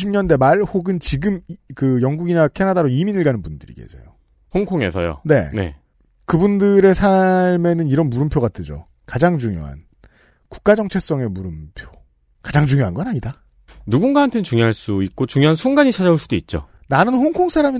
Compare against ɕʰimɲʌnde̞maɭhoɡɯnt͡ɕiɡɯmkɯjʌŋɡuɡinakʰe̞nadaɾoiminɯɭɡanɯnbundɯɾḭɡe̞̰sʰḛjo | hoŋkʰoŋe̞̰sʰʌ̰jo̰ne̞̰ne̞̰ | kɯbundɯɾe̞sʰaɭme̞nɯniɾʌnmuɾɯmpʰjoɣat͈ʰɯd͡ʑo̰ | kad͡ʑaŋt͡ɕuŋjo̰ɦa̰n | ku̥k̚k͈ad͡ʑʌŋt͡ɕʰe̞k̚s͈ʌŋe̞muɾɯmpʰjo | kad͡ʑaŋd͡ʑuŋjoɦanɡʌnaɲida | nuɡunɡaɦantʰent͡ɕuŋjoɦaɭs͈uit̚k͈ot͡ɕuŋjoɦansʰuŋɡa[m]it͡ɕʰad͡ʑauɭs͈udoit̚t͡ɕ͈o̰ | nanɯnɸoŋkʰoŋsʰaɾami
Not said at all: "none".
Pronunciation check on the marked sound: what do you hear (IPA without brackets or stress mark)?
ɲ